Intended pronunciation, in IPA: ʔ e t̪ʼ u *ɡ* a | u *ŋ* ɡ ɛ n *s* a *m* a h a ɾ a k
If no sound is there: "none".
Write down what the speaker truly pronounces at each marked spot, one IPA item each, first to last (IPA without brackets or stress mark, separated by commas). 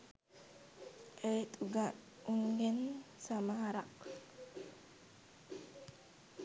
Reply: ɡ, ŋ, s, m